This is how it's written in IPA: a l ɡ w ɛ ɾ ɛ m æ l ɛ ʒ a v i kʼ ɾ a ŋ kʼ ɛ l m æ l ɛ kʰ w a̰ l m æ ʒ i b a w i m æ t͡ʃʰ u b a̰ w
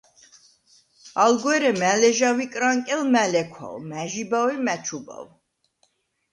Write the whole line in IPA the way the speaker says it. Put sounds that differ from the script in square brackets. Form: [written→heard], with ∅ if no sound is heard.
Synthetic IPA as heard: a l ɡ w ɛ ɾ ɛ m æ l ɛ ʒ a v i kʼ ɾ a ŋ kʼ ɛ l m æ l ɛ kʰ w a̰ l m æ ʒ i b a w i m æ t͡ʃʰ u b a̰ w